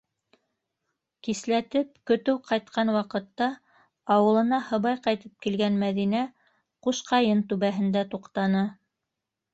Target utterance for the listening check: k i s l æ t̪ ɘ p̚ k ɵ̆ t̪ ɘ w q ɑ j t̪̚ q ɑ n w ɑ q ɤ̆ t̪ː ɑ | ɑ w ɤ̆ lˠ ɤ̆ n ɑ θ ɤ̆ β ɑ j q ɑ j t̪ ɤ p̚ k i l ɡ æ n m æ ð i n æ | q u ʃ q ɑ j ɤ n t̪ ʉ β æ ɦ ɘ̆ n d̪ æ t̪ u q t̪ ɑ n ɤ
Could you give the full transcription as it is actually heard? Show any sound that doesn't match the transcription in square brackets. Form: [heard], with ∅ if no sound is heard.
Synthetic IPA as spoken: k i s l æ t̪ ɘ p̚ k ɵ̆ t̪ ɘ w q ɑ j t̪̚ q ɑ n w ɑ q ɤ̆ t̪ː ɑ | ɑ w ɤ̆ lˠ ɤ̆ n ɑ [h] ɤ̆ β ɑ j q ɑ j t̪ ɤ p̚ k i l ɡ æ n m æ ð i n æ | q u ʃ q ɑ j ɤ n t̪ ʉ β æ ɦ ɘ̆ n d̪ æ t̪ u q t̪ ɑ n ɤ